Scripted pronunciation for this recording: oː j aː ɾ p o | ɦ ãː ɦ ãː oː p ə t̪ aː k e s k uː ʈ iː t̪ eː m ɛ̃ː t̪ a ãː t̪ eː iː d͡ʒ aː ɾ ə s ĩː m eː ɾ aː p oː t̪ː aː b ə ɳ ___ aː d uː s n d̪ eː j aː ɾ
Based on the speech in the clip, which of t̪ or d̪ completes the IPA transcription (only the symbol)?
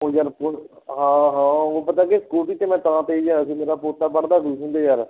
d̪